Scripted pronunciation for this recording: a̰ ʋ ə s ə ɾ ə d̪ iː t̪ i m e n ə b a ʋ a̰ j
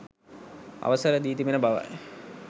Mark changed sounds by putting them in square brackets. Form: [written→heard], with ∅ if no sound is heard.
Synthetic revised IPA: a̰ ʋ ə s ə ɾ ə d̪ iː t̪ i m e n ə b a ʋ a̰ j